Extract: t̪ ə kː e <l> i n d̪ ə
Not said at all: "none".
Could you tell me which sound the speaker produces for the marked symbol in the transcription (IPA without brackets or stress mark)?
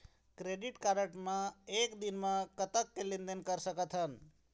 l